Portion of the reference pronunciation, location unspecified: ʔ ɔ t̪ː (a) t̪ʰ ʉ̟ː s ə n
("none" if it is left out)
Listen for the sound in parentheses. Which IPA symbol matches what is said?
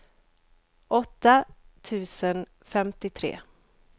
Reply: a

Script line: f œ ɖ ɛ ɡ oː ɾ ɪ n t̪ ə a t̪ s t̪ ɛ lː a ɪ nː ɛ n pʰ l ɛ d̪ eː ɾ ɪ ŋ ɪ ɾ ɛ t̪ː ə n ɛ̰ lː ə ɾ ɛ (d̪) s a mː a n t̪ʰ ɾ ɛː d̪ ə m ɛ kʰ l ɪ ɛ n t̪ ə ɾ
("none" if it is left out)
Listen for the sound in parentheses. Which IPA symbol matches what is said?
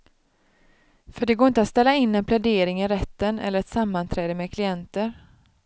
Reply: t̪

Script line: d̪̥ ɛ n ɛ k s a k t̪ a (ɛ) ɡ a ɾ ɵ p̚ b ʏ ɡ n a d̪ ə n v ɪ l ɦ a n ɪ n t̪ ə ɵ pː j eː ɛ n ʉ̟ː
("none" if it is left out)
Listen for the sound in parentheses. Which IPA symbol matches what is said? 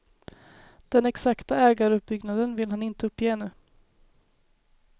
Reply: ɛː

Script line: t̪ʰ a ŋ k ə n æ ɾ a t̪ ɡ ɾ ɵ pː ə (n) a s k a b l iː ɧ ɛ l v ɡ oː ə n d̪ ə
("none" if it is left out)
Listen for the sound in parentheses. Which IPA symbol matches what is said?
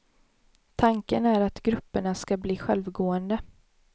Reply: ɳ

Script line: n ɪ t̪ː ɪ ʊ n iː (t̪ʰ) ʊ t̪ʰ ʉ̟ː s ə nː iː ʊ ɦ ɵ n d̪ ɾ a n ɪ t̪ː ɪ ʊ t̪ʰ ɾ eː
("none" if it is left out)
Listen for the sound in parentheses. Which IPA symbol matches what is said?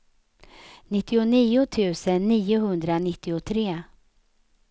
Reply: none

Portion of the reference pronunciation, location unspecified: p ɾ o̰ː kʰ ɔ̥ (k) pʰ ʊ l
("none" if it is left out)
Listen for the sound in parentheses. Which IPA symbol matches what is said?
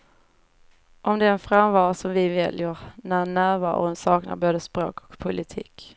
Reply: k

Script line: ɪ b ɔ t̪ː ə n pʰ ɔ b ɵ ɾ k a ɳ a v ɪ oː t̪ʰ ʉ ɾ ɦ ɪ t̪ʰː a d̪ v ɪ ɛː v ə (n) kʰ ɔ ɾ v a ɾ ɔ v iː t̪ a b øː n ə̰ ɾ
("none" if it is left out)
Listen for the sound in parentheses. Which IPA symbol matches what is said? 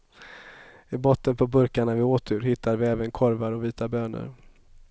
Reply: n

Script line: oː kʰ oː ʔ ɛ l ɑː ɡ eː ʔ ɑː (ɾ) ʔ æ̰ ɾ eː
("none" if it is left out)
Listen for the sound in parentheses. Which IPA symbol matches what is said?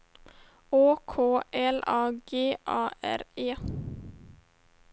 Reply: none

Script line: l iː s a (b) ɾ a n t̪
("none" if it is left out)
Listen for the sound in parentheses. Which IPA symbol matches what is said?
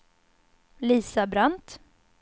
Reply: b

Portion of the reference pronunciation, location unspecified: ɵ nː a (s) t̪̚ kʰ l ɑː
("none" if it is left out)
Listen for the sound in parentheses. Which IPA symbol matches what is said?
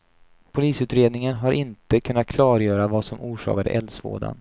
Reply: none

